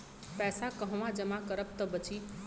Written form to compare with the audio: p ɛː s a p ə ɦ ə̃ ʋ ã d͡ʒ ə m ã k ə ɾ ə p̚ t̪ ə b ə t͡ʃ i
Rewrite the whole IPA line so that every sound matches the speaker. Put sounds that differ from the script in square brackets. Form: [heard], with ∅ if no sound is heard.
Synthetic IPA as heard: p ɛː s a [k] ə ɦ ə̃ ʋ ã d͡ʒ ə m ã k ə ɾ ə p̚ t̪ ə b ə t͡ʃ i